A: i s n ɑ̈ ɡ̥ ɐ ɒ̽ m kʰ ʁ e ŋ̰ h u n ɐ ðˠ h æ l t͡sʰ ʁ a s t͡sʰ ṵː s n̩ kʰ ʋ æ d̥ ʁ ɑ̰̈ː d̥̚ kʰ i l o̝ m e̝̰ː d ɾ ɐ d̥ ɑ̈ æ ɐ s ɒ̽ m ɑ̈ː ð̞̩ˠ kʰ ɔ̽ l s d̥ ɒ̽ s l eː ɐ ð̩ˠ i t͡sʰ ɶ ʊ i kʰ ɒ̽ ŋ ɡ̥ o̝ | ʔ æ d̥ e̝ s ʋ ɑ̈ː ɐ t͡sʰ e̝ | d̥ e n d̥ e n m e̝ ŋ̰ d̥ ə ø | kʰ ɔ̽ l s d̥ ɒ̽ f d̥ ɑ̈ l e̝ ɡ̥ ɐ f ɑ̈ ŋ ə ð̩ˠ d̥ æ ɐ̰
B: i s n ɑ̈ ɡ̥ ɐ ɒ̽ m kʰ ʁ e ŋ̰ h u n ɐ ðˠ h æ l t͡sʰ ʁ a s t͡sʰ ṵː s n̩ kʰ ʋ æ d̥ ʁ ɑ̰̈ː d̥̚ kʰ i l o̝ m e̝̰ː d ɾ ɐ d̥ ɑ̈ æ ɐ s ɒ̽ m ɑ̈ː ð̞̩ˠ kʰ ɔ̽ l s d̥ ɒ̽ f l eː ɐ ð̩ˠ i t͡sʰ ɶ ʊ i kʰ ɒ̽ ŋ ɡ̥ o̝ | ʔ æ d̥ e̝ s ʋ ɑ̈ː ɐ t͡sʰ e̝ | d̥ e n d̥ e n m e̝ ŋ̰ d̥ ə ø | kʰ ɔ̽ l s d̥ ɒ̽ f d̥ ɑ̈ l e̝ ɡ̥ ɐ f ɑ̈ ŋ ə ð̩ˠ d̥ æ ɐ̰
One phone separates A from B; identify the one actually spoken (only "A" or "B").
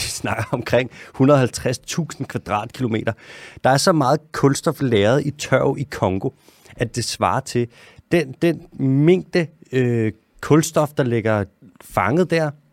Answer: B